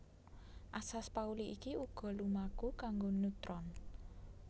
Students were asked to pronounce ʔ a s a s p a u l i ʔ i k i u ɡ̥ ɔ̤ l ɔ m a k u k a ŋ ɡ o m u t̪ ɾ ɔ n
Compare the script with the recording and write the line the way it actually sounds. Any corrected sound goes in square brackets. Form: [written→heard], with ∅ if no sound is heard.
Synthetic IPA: ʔ a s a s p a u l i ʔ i k i u ɡ̥ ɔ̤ l [ɔ→u] m a k u k a ŋ ɡ o [m→n] u t̪ ɾ ɔ n